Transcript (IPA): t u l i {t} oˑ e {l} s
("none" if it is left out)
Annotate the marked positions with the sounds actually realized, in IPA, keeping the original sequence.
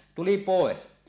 p, none

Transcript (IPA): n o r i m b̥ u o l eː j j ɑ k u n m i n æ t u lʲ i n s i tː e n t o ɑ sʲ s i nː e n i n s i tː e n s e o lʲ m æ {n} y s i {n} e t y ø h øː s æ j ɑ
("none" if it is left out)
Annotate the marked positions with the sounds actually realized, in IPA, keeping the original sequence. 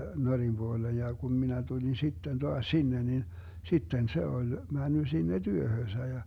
nː, nː

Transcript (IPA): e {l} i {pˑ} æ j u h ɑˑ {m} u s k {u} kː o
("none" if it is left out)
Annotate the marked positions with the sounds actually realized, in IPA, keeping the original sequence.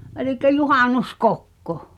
l, kˑ, n, o

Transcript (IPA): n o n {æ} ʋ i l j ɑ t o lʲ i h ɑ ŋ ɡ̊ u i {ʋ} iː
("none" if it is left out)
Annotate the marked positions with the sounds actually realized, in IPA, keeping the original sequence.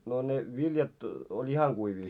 e, ʋ

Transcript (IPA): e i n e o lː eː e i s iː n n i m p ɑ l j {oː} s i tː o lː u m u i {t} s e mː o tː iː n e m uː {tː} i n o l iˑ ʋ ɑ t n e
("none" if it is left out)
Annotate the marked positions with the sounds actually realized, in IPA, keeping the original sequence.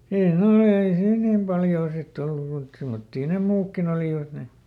oː, t, kː

